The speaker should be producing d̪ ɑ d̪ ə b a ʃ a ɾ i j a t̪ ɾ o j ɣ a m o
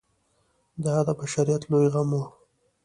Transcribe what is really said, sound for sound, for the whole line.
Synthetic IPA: d̪ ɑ d̪ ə b a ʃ a ɾ i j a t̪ l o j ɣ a m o